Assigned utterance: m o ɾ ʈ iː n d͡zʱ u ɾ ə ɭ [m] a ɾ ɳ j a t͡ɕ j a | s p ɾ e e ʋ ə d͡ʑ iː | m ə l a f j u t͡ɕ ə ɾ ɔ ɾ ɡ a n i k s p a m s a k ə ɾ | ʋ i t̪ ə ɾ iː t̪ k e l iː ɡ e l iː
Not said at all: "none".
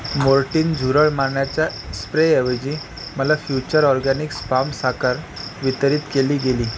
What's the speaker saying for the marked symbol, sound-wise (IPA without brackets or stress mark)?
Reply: m